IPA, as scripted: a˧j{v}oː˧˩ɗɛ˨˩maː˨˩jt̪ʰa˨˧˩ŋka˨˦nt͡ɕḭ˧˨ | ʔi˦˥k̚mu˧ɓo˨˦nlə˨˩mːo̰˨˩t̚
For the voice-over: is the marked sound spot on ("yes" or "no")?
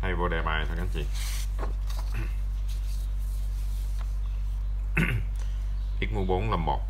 yes